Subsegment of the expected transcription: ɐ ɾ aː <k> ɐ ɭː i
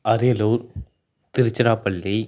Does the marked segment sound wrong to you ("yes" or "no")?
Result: yes